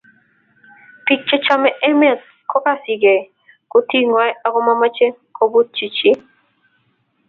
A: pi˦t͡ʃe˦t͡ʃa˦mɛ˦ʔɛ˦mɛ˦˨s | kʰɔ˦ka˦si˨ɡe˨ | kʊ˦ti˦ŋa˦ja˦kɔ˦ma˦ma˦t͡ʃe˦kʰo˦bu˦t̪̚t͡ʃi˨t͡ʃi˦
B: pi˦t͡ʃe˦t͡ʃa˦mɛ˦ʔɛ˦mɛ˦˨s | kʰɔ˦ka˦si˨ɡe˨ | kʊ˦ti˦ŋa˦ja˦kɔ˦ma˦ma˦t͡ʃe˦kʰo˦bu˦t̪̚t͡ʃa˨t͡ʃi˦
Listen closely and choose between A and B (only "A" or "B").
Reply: A